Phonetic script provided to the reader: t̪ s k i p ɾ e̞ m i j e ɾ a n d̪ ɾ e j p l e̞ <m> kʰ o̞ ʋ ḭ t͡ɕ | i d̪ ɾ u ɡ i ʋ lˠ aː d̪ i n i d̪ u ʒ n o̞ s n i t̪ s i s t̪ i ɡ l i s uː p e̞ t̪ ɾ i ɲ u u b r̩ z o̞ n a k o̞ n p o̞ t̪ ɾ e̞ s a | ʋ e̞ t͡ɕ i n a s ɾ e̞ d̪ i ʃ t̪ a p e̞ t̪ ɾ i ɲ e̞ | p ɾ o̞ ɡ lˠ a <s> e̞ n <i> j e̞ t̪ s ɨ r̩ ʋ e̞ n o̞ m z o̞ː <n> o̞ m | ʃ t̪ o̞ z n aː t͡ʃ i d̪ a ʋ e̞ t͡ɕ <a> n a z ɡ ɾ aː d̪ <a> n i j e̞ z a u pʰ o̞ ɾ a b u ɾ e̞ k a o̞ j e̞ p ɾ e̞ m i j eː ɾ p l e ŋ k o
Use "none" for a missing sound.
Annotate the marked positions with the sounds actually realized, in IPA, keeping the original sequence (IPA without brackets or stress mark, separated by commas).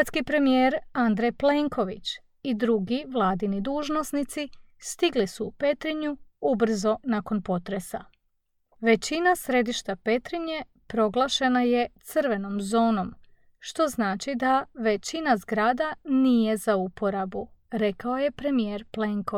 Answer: ŋ, ʃ, a, n, i, a